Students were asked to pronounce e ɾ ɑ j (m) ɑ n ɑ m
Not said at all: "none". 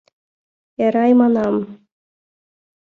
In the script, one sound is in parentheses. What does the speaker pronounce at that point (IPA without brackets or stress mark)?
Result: m